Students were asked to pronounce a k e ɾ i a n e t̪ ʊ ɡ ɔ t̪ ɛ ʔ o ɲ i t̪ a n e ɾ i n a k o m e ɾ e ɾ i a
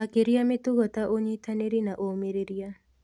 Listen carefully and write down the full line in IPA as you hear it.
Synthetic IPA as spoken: a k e ɾ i a m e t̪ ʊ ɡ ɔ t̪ a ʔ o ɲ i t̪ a n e ɾ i n a ʔ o m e ɾ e ɾ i a

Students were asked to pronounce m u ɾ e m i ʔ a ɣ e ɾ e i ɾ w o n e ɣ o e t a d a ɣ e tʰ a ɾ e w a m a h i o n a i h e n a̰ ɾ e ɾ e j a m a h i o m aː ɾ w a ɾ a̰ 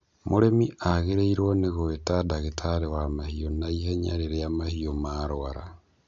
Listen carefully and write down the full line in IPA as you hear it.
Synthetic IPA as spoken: m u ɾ e m i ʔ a ɣ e ɾ e i ɾ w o n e ɣ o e t a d a ɣ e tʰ a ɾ e w a m a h i o n a i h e ɲ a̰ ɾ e ɾ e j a m a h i o m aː ɾ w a ɾ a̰

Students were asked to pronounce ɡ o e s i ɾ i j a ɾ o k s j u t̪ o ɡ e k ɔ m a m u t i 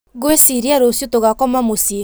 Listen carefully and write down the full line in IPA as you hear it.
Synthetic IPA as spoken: ɡ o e s i ɾ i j a ɾ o s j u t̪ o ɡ a k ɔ m a m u s i

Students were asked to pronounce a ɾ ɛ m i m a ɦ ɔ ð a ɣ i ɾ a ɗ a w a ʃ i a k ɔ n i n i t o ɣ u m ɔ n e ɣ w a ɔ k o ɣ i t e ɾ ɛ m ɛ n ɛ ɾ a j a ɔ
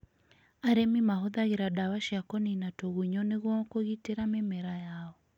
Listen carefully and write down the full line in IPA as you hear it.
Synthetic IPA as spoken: a ɾ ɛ m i m a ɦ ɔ ð a ɣ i ɾ a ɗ a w a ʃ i a k ɔ n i n a t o ɣ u ɲ ɔ n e ɣ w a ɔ k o ɣ i t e ɾ a m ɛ m ɛ ɾ a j a ɔ

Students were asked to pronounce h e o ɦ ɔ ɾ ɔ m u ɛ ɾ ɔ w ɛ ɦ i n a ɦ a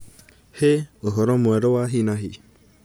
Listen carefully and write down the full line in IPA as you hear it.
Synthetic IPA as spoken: h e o ɦ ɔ ɾ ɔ m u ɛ ɾ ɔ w a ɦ i n a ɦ i

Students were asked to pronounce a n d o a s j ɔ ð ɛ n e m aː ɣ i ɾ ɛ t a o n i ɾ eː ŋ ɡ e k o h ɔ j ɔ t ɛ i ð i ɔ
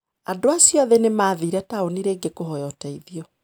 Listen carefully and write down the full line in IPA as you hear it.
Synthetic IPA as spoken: a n d o a s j ɔ ð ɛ n e m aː ð i ɾ ɛ t a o n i ɾ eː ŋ ɡ e k o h ɔ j ɔ t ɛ i ð i ɔ

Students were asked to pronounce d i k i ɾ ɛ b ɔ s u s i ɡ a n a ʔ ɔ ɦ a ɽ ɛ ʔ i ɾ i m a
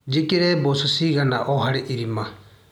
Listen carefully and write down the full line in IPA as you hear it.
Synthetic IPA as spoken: d͡ʒ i k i ɾ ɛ b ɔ s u s i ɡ a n a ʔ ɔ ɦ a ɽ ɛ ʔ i ɾ i m a

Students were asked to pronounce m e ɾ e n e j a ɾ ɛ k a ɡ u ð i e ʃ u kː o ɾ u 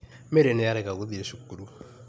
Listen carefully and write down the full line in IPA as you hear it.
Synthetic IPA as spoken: m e ɾ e n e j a ɾ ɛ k a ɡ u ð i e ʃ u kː u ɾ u

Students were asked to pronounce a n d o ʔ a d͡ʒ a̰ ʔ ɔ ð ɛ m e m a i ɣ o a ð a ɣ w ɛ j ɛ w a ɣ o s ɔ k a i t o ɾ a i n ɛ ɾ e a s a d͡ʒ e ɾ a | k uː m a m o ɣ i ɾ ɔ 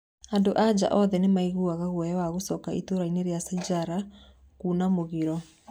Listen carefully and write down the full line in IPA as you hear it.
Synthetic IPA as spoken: a n d o ʔ a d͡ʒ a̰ ʔ ɔ ð ɛ n e m a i ɣ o a ɣ a ɣ w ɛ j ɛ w a ɣ o s ɔ k a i t o ɾ a i n e ɾ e a s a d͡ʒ a ɾ a | k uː n a m o ɣ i ɾ ɔ

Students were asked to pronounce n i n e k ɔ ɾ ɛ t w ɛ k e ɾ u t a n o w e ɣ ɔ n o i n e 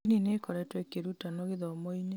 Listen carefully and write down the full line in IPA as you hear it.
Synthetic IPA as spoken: n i n e k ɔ ɾ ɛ t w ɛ k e ɾ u t a n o ɣ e ð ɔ m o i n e

